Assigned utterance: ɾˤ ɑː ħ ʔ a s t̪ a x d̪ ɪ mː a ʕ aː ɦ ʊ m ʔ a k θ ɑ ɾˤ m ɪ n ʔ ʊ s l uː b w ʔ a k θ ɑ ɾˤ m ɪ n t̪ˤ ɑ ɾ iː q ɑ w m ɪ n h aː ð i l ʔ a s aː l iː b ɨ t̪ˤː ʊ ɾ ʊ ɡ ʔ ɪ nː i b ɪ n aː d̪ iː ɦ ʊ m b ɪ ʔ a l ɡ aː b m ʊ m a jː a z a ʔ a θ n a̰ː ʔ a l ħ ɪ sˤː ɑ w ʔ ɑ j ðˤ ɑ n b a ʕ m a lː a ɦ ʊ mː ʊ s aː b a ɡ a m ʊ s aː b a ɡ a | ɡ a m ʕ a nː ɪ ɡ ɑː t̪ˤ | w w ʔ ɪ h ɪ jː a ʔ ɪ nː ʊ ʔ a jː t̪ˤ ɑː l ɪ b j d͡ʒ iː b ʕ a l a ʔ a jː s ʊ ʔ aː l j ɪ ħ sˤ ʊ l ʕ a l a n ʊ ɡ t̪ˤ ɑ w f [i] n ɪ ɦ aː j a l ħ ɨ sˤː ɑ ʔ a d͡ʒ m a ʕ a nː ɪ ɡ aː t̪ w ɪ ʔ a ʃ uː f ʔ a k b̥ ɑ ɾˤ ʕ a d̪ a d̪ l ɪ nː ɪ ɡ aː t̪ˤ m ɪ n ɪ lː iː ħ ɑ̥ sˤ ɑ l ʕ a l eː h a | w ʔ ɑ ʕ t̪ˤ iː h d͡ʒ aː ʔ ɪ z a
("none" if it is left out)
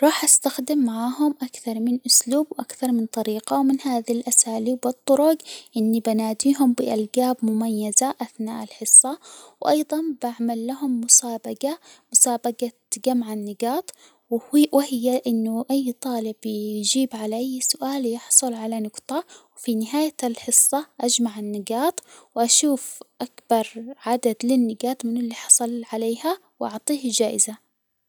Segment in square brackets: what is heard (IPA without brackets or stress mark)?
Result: i